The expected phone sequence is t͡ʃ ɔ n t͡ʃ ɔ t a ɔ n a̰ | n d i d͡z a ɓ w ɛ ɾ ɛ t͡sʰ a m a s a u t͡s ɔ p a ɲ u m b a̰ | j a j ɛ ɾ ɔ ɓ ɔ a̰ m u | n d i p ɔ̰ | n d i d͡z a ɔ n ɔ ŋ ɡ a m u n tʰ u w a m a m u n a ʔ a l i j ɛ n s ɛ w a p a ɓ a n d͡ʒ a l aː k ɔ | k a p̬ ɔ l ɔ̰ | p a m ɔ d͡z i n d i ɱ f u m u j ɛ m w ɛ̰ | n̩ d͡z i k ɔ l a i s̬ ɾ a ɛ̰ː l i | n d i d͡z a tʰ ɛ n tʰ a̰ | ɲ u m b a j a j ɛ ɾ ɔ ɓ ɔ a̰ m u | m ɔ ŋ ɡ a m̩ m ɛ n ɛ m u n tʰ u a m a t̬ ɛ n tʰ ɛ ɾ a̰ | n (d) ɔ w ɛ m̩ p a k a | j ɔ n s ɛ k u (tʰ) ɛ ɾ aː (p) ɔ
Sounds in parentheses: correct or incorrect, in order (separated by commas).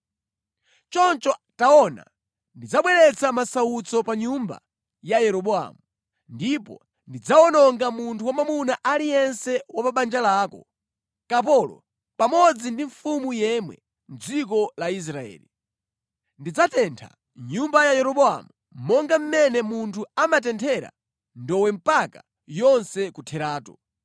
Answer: correct, correct, incorrect